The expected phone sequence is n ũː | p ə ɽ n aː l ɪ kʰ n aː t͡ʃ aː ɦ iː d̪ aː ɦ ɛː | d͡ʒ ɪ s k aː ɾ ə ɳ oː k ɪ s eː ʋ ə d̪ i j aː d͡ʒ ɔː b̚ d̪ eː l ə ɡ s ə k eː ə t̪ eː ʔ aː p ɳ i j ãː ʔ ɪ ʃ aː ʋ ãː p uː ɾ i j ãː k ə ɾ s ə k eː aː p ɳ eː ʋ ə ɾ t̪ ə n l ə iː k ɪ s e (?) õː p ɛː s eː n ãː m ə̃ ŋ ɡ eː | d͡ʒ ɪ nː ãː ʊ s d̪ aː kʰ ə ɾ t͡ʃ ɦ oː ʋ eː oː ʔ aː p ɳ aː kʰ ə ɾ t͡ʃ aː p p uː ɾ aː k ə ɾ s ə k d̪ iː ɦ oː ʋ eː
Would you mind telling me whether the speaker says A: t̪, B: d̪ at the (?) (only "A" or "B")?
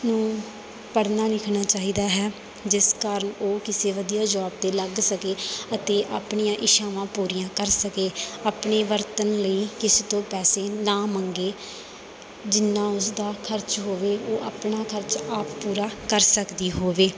A